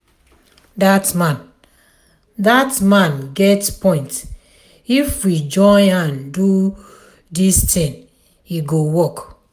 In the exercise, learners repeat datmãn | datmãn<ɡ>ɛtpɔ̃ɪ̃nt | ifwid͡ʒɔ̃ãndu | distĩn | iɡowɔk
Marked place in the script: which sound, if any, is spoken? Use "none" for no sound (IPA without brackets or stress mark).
ɡ